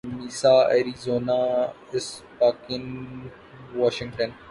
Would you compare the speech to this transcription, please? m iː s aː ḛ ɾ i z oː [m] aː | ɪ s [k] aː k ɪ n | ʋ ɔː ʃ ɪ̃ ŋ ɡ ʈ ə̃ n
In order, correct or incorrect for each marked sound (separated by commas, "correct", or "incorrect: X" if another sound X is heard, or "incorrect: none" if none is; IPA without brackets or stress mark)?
incorrect: n, incorrect: p